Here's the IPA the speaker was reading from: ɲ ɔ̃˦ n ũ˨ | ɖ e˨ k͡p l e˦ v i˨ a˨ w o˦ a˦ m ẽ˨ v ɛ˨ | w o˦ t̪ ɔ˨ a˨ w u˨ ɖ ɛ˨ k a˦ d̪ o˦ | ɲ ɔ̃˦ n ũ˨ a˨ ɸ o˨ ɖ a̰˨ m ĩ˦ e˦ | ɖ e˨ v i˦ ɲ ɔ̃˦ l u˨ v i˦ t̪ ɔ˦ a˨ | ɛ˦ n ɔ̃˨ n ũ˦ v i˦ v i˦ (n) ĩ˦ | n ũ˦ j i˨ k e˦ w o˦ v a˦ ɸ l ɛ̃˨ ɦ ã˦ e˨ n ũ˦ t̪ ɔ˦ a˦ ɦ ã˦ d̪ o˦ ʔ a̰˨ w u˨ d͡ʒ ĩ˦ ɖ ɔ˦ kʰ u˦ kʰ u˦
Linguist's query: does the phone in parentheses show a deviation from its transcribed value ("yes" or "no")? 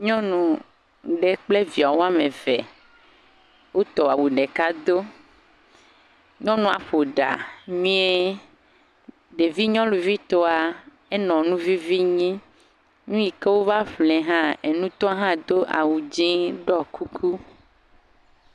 yes